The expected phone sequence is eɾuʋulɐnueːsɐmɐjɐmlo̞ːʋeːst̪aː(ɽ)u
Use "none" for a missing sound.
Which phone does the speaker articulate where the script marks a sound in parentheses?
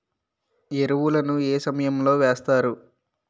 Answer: ɾ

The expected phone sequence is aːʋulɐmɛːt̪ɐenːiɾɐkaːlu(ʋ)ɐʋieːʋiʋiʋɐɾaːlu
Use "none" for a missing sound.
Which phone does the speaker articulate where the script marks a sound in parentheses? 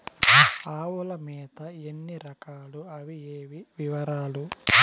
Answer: none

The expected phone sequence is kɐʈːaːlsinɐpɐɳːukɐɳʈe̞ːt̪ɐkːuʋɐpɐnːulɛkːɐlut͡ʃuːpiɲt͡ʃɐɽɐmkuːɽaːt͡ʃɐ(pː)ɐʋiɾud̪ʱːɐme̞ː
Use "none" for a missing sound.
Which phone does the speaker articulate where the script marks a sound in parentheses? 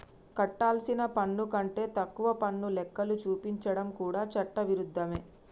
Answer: ʈː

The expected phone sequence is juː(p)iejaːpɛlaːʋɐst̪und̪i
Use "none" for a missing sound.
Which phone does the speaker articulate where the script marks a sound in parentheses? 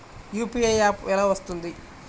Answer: p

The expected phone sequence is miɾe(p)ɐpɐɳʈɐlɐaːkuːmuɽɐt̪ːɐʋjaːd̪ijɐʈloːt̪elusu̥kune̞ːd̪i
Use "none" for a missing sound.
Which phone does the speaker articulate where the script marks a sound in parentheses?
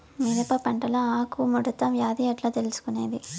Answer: p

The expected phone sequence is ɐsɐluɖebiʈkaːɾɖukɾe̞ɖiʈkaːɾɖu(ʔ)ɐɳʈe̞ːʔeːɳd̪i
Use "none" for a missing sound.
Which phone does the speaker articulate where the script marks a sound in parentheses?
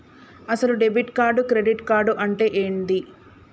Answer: ʔ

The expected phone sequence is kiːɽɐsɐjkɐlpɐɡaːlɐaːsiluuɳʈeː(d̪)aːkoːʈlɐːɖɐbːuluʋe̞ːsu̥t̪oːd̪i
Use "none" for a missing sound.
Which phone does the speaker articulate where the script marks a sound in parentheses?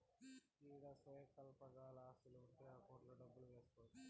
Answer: none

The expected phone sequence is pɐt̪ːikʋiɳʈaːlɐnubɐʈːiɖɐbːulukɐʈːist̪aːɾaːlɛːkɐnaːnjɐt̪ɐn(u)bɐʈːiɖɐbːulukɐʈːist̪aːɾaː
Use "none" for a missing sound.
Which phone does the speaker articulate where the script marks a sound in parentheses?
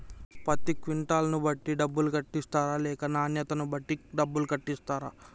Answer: u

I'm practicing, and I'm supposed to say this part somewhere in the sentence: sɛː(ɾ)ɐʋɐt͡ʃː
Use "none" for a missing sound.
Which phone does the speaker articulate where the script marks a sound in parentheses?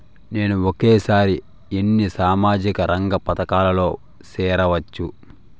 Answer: ɾ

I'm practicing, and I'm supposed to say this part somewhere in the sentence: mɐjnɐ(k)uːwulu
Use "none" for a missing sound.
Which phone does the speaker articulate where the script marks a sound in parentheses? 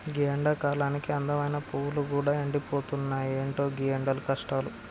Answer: p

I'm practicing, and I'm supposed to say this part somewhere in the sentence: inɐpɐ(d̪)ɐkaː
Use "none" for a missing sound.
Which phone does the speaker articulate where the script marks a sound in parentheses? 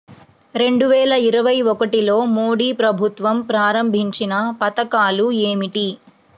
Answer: t̪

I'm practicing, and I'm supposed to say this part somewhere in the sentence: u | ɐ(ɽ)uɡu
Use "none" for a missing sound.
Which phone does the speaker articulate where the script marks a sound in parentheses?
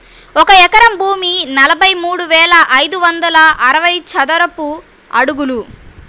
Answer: ɽ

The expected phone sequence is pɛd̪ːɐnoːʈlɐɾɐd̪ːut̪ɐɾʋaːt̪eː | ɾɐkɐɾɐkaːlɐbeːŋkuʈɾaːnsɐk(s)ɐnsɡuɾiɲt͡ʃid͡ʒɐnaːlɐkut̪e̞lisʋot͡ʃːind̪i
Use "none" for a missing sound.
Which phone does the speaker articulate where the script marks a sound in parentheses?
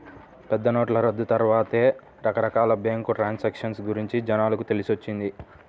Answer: ʂ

